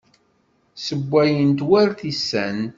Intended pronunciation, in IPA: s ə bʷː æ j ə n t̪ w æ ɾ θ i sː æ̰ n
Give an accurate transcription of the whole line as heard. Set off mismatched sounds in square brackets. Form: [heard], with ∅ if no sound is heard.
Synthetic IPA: s ə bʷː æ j ə n t̪ w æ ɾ θ i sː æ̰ n

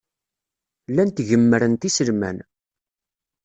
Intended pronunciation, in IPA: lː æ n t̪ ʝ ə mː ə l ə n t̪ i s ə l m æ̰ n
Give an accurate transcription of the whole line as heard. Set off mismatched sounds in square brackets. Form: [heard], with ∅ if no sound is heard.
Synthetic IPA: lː æ n t̪ ʝ ə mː ə [ɾ] ə n t̪ i s ə l m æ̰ n

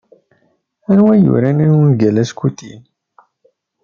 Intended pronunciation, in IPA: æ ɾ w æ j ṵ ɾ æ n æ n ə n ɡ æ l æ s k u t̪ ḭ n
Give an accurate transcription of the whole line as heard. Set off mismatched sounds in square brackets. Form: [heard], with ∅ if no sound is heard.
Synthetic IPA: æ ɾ w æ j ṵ ɾ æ n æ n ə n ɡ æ l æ s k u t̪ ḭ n

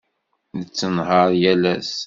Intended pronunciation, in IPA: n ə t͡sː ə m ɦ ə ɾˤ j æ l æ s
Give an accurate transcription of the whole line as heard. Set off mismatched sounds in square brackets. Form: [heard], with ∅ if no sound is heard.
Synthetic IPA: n ə t͡sː ə [n] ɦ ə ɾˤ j æ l æ s

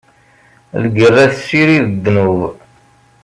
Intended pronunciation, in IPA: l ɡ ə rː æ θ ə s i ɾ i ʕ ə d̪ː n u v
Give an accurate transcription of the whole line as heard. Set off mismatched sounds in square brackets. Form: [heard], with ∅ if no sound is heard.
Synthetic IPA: l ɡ ə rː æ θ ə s i ɾ i [ð] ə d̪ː n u v

